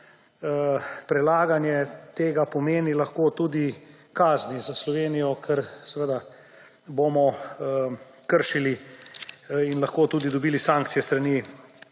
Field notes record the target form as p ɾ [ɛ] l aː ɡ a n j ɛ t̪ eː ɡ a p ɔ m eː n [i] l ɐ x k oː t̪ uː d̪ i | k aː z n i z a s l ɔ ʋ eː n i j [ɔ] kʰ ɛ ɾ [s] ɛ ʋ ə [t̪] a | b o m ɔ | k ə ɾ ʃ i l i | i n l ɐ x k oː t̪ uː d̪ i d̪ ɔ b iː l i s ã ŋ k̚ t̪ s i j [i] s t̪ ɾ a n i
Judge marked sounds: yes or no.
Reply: yes, yes, yes, yes, no, no

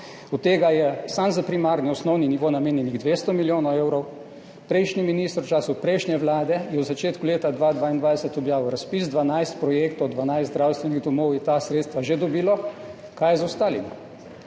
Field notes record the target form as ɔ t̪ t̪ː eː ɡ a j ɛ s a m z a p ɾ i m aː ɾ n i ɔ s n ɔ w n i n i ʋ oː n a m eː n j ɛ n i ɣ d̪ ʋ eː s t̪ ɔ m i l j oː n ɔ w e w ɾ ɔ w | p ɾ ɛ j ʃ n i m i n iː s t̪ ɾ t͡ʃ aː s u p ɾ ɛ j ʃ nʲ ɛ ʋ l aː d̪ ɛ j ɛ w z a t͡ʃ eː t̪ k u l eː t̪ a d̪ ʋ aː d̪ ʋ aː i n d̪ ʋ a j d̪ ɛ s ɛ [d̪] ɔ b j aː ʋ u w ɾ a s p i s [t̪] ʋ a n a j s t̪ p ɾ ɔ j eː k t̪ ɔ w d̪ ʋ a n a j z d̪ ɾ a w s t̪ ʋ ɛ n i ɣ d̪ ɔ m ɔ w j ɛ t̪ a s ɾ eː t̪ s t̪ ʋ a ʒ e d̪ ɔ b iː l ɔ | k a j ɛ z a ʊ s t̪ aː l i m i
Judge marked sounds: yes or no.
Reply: no, no

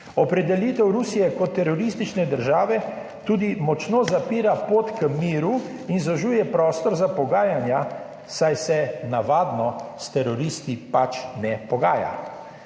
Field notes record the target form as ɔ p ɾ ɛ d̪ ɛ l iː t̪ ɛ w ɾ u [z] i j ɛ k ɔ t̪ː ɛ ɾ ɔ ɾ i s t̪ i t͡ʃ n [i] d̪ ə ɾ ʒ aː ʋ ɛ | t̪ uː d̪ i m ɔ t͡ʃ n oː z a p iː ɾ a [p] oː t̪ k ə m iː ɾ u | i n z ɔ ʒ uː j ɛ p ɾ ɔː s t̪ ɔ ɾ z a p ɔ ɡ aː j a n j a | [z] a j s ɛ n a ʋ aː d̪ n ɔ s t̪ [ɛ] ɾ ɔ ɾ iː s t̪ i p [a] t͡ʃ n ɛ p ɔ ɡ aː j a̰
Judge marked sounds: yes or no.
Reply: no, no, yes, no, yes, yes

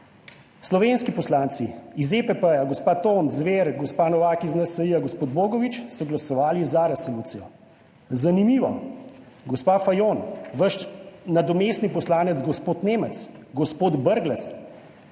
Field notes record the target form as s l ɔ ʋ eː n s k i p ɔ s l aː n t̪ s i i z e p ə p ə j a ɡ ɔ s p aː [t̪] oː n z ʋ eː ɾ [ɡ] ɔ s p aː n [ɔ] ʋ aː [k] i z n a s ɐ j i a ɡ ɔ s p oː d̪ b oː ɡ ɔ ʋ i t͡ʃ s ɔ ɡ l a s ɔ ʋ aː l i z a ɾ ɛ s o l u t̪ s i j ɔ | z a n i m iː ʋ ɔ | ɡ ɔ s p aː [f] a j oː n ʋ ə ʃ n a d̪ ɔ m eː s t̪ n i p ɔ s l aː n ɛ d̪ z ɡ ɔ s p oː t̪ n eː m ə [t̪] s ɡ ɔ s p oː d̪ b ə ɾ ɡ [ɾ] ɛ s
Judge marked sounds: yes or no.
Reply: yes, yes, yes, yes, yes, yes, no

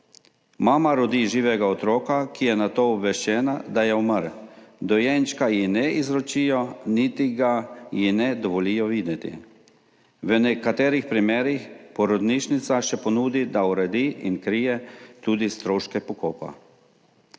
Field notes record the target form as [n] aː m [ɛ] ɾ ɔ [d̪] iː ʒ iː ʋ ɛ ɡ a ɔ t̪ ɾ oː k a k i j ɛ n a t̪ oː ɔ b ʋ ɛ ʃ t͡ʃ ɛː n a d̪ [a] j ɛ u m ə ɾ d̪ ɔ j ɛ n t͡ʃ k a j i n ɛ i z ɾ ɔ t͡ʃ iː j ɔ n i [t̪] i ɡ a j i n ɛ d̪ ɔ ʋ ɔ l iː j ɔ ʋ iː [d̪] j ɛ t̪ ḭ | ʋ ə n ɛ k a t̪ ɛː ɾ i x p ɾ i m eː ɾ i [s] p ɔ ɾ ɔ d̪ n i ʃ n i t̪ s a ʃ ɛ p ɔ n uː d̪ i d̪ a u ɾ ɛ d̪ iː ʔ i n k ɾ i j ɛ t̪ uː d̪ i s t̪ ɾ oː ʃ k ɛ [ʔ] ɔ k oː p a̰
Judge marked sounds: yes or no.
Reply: no, no, yes, yes, yes, yes, no, no

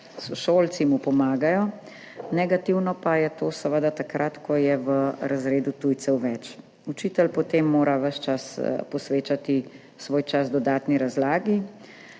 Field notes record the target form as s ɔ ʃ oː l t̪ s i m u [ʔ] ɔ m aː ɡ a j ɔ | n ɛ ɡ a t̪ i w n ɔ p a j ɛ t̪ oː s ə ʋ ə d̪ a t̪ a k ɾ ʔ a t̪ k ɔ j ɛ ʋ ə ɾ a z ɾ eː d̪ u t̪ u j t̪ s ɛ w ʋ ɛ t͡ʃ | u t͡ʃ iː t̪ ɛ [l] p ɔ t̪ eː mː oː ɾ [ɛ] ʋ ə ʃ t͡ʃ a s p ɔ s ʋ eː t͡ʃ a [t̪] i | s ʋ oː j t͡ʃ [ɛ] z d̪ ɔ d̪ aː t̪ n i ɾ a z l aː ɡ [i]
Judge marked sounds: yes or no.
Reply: no, yes, no, yes, no, yes

